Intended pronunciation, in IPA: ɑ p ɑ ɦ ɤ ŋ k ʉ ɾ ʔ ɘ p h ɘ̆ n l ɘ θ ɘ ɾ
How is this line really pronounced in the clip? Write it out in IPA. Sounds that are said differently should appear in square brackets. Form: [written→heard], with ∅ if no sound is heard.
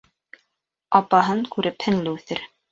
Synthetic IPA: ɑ p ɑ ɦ ɤ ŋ k ʉ ɾ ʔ ɘ p h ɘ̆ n l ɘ θ ɘ ɾ

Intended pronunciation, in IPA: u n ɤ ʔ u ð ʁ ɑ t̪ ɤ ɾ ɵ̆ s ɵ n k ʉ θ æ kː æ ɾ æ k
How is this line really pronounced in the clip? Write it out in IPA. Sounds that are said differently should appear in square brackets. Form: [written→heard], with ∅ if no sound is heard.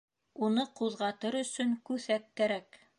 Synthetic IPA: u n ɤ [ʔ→q] u ð ʁ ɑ t̪ ɤ ɾ ɵ̆ s ɵ [n→ŋ] k ʉ θ æ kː æ ɾ æ k

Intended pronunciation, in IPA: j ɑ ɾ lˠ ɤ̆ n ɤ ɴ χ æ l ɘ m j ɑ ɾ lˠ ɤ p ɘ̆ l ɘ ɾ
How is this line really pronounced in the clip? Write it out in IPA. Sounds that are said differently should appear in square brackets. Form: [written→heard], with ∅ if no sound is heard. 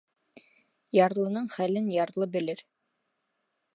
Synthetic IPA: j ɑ ɾ lˠ ɤ̆ n ɤ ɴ χ æ l ɘ [m→n] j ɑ ɾ lˠ ɤ [p→b] ɘ̆ l ɘ ɾ

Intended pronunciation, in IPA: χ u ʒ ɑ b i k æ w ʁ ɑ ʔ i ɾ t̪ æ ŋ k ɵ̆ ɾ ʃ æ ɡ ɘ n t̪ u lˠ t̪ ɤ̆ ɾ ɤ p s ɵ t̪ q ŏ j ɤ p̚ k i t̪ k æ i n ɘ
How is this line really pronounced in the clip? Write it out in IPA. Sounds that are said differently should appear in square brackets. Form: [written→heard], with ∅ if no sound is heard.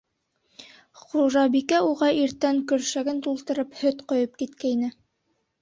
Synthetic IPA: χ u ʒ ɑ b i k æ [w→u] ʁ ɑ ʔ i ɾ t̪ æ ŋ k ɵ̆ ɾ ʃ æ ɡ ɘ n t̪ u lˠ t̪ ɤ̆ ɾ ɤ p [s→h] ɵ t̪ q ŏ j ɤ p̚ k i t̪ k æ i n ɘ

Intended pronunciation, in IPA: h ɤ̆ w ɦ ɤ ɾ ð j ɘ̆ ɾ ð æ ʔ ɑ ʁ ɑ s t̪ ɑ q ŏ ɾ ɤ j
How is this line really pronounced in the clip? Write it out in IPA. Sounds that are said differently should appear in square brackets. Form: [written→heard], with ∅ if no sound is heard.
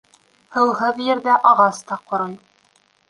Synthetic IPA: h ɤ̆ w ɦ ɤ [ɾ→∅] ð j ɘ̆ ɾ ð æ ʔ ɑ ʁ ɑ s t̪ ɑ q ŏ ɾ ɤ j

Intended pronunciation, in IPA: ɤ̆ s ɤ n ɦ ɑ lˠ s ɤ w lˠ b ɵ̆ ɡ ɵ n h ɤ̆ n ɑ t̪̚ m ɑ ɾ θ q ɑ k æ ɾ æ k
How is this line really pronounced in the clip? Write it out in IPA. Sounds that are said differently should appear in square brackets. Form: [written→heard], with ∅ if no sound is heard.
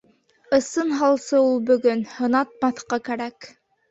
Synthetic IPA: ɤ̆ s ɤ n ɦ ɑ lˠ s ɤ [w→u] lˠ b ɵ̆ ɡ ɵ n h ɤ̆ n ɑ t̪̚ m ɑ [ɾ→∅] θ q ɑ k æ ɾ æ k

